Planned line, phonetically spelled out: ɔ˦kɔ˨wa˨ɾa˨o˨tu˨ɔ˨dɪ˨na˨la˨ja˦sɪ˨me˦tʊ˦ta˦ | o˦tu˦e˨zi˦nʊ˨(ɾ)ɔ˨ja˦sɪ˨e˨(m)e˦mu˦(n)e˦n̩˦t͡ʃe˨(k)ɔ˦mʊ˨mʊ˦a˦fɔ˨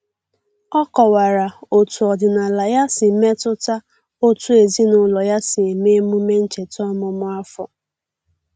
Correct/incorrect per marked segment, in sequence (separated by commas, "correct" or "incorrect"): incorrect, correct, incorrect, incorrect